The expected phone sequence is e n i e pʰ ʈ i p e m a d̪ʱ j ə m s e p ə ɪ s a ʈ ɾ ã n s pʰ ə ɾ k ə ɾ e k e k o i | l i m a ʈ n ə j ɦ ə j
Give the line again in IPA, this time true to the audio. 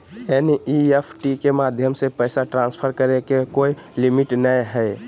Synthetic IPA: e n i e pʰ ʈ i k e m a d̪ʱ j ə m s e p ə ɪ s a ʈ ɾ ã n s pʰ ə ɾ k ə ɾ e k e k o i | l i m i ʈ n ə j ɦ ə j